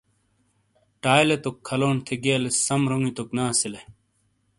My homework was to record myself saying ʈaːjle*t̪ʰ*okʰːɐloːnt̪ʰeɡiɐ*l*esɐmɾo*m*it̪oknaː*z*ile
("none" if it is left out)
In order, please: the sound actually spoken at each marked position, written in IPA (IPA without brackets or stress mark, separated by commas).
t̪, l, ŋ, s